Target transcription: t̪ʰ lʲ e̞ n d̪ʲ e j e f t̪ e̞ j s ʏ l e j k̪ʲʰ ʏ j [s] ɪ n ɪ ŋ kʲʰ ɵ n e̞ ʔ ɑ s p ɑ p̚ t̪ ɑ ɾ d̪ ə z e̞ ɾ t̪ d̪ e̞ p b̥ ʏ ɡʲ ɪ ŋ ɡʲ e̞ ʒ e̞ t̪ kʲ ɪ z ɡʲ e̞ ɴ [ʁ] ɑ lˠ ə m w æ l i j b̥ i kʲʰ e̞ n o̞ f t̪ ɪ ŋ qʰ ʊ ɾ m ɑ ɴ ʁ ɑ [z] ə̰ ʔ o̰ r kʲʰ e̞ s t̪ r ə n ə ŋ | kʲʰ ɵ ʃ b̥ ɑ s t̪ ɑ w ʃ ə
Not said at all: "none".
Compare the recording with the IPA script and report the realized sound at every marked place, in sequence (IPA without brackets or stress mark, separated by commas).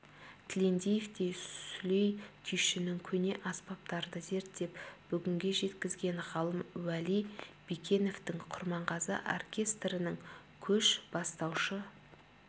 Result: ʃ, ʁ, z